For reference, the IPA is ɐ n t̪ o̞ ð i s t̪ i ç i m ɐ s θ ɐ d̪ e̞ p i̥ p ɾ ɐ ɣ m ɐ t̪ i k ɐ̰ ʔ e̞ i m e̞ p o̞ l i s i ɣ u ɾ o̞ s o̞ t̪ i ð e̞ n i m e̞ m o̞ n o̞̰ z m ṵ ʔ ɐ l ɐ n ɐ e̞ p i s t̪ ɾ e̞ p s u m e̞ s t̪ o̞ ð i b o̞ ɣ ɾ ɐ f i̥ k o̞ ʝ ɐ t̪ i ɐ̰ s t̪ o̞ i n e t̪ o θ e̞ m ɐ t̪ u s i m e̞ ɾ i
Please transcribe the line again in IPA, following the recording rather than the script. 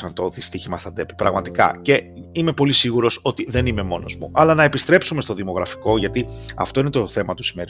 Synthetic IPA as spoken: ɐ n t̪ o̞ ð i s t̪ i ç i m ɐ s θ ɐ d̪ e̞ p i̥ p ɾ ɐ ɣ m ɐ t̪ i k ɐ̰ c e̞ i m e̞ p o̞ l i s i ɣ u ɾ o̞ s o̞ t̪ i ð e̞ n i m e̞ m o̞ n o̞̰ z m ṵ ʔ ɐ l ɐ n ɐ e̞ p i s t̪ ɾ e̞ p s u m e̞ s t̪ o̞ ð i m o̞ ɣ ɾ ɐ f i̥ k o̞ ʝ ɐ t̪ i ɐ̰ f t̪ o̞ i n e t̪ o θ e̞ m ɐ t̪ u s i m e̞ ɾ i